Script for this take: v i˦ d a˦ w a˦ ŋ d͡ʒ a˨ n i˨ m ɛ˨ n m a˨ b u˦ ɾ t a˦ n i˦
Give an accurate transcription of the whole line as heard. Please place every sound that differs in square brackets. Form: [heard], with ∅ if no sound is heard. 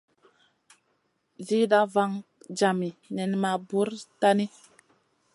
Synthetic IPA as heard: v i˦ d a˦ [v] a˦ ŋ d͡ʒ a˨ [m] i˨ [n] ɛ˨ n m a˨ b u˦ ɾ t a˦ n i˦